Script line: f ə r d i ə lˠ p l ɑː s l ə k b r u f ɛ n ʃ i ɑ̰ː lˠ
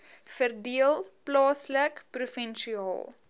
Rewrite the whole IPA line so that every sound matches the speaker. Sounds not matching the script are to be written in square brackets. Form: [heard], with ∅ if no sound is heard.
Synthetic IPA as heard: f ə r d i ə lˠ p l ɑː s l ə k [p] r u f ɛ n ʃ i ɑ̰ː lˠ